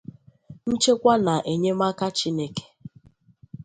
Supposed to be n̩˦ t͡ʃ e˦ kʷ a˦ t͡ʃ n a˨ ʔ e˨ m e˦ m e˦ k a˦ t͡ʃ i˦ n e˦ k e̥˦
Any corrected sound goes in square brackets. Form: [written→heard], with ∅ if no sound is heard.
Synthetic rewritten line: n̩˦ t͡ʃ e˦ kʷ a˦ [t͡ʃ→∅] n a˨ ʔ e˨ [m→ɲ] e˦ m [e˦→a˦] k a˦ t͡ʃ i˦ n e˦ k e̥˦